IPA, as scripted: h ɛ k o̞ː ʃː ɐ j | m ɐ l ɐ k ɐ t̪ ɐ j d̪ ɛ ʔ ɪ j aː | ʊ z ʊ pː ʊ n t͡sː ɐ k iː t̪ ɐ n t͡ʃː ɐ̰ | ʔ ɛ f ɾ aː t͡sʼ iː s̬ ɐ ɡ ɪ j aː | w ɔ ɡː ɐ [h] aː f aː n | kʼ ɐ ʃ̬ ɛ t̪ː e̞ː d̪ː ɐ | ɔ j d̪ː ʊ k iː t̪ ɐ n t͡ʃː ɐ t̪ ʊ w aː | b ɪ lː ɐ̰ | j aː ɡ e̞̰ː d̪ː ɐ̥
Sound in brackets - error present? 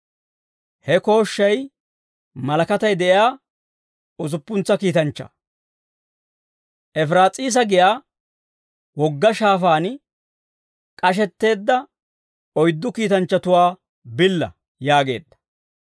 yes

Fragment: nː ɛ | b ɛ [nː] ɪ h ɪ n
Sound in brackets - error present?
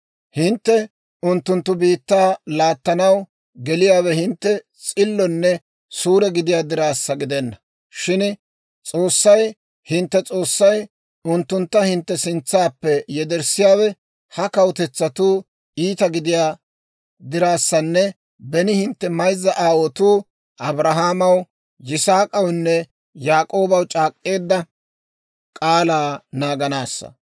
yes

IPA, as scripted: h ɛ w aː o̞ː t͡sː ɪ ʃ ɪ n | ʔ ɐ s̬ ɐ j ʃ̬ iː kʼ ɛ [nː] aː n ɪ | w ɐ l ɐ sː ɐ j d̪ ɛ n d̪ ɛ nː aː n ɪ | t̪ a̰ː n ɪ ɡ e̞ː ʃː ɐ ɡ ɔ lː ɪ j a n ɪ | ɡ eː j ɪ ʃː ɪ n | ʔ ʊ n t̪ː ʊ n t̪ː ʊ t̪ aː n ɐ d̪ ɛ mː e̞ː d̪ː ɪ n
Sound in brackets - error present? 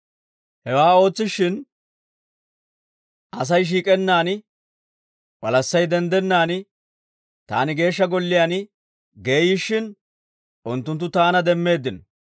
no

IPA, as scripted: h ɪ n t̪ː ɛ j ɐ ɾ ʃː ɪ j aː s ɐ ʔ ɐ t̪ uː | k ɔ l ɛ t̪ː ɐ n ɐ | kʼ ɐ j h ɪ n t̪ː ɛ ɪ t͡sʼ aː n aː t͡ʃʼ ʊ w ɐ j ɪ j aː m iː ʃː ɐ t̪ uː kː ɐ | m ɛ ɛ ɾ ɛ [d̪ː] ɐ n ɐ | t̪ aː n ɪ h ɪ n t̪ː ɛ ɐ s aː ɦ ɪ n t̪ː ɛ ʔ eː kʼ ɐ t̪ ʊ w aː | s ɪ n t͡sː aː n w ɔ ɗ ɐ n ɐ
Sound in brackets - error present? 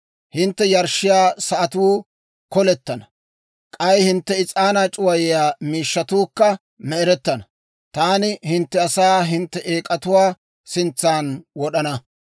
yes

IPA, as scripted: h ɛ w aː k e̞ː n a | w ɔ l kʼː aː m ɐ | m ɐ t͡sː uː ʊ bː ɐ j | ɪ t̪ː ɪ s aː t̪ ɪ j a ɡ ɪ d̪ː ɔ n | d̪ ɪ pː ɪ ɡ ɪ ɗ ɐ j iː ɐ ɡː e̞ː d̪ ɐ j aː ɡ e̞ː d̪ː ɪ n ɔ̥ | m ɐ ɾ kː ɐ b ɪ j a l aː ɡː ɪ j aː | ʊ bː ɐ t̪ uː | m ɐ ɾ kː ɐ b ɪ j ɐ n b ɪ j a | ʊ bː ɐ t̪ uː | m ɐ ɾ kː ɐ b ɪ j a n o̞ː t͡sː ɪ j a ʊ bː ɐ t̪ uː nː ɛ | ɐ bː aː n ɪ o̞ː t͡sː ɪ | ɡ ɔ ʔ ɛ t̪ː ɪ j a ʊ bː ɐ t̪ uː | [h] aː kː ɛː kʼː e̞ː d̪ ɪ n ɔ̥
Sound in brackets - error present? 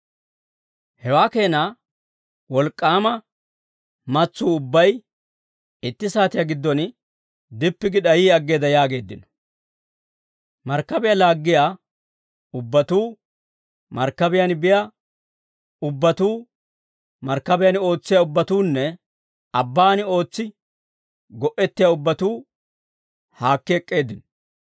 no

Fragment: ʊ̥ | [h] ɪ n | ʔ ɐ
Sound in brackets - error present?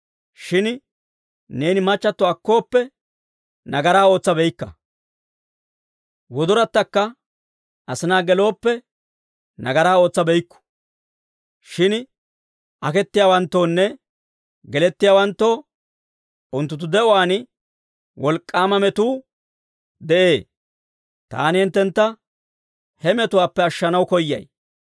yes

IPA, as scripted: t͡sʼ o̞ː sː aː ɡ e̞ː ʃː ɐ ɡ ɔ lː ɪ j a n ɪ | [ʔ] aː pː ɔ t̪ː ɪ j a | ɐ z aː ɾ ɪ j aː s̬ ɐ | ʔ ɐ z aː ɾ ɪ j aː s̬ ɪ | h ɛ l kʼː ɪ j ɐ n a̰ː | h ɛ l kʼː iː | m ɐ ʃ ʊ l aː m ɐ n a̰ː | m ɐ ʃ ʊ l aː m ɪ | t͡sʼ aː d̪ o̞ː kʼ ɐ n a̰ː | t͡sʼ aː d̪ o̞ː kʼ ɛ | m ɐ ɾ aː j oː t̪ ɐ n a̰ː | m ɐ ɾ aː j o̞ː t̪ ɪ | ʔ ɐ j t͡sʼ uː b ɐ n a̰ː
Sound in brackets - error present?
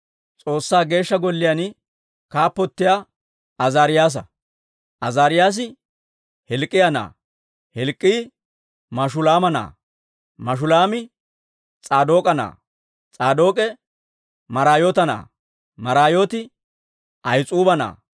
yes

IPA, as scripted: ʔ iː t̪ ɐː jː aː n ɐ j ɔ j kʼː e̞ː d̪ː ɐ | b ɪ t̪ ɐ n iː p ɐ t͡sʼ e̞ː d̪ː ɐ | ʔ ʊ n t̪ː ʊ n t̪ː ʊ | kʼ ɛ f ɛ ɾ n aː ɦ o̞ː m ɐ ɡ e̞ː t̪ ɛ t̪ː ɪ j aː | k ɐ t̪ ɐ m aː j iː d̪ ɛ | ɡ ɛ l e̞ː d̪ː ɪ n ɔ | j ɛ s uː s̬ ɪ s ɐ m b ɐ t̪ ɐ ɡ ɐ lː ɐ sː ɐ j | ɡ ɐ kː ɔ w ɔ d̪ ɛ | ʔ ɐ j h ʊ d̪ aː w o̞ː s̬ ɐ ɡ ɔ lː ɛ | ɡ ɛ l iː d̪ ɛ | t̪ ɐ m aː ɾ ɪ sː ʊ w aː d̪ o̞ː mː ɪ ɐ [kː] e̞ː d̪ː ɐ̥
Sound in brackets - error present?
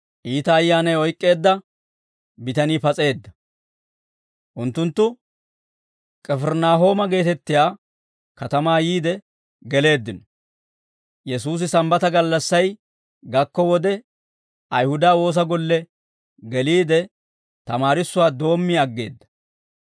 yes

